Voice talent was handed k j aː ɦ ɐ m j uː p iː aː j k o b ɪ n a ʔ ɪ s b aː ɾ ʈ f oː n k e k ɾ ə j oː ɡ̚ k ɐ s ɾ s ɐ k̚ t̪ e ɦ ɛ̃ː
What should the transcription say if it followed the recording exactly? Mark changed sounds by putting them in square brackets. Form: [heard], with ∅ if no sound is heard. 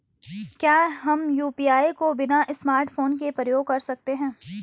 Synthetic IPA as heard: k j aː ɦ ɐ m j uː p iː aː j k o b ɪ n a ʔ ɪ s [m] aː ɾ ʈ f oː n k e [p] ɾ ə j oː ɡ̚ k ɐ [∅] ɾ s ɐ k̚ t̪ e ɦ ɛ̃ː